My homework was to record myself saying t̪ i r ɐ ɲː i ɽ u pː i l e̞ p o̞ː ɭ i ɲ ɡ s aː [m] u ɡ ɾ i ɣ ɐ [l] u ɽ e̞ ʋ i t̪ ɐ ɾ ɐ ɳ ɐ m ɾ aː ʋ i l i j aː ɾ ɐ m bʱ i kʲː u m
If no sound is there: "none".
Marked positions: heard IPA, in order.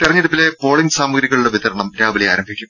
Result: m, ɭ

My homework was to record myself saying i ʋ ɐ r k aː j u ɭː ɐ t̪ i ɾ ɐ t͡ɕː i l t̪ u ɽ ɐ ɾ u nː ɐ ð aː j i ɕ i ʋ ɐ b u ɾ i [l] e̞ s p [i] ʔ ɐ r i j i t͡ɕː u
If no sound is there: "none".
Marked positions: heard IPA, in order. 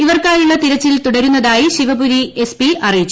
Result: none, i

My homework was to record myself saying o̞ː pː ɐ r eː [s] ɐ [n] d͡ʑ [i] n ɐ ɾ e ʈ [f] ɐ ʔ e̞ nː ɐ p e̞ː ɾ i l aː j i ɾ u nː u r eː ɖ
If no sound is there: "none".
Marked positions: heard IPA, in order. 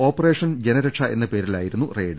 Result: ʂ, n, e, ʂ

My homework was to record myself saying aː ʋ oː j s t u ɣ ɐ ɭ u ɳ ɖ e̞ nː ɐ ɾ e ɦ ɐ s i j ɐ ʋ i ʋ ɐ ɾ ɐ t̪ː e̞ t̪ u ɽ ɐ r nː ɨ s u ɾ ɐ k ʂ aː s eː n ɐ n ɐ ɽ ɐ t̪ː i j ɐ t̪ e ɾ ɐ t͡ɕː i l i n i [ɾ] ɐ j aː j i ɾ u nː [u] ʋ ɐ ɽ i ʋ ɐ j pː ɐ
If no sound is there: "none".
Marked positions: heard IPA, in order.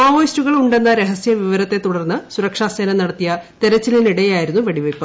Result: ɽ, u

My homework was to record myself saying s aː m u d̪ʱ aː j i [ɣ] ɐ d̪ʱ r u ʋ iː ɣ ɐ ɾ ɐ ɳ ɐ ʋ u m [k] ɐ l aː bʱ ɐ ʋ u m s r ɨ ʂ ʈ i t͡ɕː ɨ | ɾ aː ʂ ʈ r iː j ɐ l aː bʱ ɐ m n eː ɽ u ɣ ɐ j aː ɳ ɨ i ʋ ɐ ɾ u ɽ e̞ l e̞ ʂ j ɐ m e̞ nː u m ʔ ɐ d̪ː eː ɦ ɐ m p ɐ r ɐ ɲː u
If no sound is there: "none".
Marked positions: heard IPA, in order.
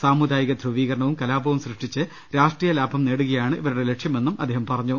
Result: ɣ, k

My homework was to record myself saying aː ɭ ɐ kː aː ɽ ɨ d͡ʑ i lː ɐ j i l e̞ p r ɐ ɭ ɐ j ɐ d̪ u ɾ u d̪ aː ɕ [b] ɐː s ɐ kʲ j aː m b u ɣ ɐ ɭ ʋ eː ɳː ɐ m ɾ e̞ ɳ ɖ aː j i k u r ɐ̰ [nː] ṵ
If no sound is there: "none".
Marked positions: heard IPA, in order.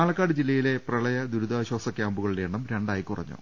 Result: w, ɲː

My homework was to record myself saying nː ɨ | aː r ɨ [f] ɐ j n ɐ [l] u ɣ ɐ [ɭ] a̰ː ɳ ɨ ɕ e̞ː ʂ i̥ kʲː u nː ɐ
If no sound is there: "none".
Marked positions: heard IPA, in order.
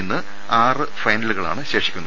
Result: f, l, ɭ

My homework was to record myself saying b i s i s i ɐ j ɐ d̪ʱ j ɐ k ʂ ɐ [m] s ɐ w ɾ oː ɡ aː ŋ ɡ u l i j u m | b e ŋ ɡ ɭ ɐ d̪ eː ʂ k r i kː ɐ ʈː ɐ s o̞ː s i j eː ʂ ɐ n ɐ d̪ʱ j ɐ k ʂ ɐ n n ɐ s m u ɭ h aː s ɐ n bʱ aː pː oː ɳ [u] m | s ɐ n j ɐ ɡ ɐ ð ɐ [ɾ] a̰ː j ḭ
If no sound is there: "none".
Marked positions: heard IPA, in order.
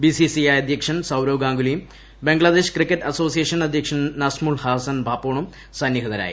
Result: n, u, ɾ

